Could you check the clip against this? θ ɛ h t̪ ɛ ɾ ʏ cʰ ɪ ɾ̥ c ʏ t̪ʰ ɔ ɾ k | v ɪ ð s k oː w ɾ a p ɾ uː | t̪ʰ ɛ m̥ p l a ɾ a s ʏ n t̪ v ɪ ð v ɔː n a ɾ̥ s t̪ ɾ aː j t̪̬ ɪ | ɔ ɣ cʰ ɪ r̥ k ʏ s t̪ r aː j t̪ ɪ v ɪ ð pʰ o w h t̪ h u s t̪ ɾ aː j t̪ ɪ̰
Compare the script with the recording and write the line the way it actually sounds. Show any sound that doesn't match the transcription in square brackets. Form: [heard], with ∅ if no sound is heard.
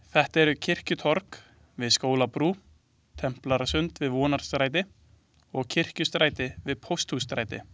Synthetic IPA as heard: θ ɛ h t̪ ɛ ɾ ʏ cʰ ɪ [r̥] c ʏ t̪ʰ ɔ ɾ k | v ɪ ð s k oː w [l] a p ɾ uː | t̪ʰ ɛ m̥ p l a ɾ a s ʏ n t̪ v ɪ ð v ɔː n a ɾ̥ s t̪ ɾ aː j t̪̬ ɪ | ɔ ɣ cʰ ɪ r̥ [c] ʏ s t̪ [ɾ] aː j t̪ ɪ v ɪ ð pʰ o w [s] t̪ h u s t̪ ɾ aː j t̪ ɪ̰

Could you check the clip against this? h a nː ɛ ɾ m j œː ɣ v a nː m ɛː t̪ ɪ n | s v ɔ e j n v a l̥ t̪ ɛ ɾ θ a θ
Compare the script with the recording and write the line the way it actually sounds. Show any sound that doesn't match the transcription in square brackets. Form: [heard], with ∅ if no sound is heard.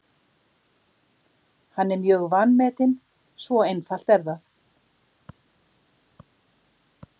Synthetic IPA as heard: h a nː ɛ ɾ m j œː ɣ v a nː m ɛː t̪ ɪ n | s v ɔ e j n [f] a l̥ t̪ ɛ ɾ [ð] a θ

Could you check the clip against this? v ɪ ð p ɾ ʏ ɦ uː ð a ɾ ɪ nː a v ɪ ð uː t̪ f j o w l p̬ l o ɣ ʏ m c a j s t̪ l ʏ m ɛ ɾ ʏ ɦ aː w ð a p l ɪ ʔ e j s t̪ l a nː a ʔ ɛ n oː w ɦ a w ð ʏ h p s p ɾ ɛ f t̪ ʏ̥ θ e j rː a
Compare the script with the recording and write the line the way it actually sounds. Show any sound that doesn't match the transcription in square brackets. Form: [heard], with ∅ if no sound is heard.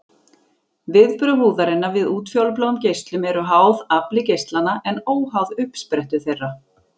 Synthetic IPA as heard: v ɪ ð p ɾ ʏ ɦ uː ð a ɾ ɪ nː a v ɪ ð uː t̪ f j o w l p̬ l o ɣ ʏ m c [e] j s t̪ l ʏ m ɛ ɾ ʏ ɦ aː w ð a p l ɪ [c] e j s t̪ l a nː a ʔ ɛ n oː w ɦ a w ð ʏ h p s p ɾ ɛ [h] t̪ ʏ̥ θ e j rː a

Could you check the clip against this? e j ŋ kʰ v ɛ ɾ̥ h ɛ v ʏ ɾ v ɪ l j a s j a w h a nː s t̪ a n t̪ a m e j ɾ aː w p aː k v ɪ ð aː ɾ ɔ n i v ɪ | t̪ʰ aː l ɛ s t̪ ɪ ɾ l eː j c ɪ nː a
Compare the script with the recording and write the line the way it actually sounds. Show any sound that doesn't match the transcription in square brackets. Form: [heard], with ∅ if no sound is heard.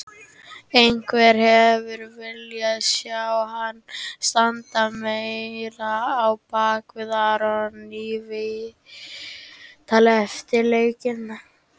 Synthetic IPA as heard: e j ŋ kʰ v ɛ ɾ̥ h ɛ v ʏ ɾ v ɪ l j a s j a w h a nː s t̪ a n t̪ a m e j ɾ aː w p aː k v ɪ ð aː ɾ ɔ n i v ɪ | t̪ʰ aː l ɛ [f] t̪ ɪ ɾ l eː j c ɪ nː a

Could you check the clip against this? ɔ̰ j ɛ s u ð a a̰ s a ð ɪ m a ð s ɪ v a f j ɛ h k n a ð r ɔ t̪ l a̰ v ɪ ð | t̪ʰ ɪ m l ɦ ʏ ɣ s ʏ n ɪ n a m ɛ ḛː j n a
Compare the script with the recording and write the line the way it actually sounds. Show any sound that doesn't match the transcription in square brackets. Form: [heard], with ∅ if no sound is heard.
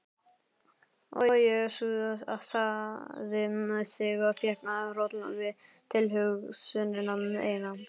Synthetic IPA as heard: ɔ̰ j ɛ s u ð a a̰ s a ð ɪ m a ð s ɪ [ɣ] a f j ɛ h k n a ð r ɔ t̪ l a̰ v ɪ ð | t̪ʰ ɪ [∅] l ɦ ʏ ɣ s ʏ n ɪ n a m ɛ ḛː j n a

